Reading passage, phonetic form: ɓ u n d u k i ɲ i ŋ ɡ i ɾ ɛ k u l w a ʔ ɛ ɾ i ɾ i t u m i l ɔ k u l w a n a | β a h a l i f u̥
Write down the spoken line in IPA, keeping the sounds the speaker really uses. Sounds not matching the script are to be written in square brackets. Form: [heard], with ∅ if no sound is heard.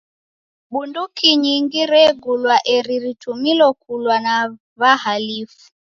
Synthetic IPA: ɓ u n d u k i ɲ i ŋ ɡ i ɾ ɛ [ɡ] u l w a ʔ ɛ ɾ i ɾ i t u m i l ɔ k u l w a n a | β a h a l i f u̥